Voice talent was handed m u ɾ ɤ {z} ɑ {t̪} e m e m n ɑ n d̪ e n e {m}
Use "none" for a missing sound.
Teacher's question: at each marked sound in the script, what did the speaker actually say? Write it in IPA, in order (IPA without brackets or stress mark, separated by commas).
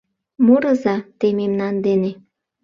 z, t̪, none